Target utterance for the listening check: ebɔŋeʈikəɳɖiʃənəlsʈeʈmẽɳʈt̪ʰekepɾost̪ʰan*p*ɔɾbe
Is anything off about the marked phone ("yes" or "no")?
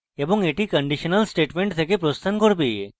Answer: yes